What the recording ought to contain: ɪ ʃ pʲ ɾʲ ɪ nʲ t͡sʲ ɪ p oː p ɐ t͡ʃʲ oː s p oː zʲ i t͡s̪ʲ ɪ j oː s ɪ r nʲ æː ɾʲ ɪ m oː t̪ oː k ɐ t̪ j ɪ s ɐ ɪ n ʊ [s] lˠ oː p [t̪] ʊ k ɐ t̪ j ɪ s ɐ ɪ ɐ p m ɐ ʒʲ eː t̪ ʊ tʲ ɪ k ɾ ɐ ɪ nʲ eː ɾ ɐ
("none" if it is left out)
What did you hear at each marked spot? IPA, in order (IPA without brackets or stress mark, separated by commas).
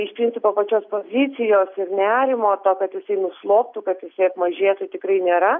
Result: s, t̪